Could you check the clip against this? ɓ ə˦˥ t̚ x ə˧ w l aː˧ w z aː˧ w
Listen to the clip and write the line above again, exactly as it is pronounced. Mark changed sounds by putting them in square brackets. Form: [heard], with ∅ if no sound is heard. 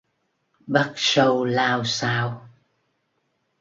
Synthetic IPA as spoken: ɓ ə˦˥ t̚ [s] ə˧ w l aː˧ w [s] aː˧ w